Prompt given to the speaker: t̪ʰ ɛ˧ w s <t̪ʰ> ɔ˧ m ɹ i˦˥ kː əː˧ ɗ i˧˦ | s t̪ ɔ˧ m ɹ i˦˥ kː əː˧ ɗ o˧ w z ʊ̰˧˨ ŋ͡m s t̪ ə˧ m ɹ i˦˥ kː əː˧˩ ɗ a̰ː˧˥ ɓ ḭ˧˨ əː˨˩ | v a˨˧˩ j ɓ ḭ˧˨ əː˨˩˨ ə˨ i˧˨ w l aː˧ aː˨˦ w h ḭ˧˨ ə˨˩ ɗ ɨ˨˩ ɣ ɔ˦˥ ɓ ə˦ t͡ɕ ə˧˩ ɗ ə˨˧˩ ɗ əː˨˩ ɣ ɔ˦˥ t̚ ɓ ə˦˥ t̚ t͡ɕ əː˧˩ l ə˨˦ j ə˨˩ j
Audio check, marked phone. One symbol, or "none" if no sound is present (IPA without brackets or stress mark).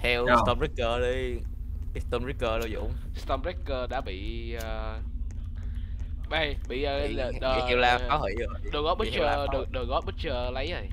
t̪